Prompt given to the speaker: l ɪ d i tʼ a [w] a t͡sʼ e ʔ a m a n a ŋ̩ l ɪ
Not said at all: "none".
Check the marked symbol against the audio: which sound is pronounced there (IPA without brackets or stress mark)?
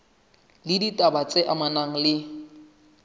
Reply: b